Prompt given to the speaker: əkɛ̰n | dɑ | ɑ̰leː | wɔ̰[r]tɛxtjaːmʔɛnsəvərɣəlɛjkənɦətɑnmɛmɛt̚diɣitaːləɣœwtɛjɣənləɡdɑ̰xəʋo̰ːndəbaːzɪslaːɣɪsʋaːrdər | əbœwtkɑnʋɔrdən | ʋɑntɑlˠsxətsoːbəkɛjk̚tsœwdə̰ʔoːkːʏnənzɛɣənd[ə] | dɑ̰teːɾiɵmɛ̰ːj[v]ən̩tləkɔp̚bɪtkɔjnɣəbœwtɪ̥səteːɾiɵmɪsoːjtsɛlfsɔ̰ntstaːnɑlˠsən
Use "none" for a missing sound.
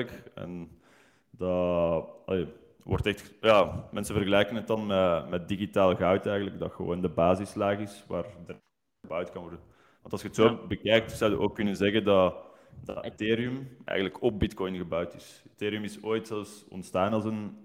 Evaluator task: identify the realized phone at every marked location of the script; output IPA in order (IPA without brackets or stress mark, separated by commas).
r, ɑ, ɣ